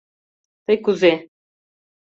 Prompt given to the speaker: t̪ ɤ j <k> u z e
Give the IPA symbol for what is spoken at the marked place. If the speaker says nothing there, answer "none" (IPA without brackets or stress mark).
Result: k